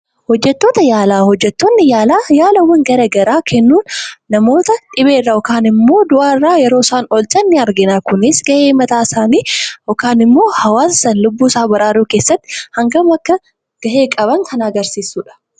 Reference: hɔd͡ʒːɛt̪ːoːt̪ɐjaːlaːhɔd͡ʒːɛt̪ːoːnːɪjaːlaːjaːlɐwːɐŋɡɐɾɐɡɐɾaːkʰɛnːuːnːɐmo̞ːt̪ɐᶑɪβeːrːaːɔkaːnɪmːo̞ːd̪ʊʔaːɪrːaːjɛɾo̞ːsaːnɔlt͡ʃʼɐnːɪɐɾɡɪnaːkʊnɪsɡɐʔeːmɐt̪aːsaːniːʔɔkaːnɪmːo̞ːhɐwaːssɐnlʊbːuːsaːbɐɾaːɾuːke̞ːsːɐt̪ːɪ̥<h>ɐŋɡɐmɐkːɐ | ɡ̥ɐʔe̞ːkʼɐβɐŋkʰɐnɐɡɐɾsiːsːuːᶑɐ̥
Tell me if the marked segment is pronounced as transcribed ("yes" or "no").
yes